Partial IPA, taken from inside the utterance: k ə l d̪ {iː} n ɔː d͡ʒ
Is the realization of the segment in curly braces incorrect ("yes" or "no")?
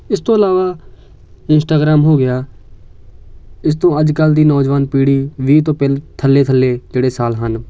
no